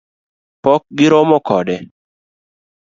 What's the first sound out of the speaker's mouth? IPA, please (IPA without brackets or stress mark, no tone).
p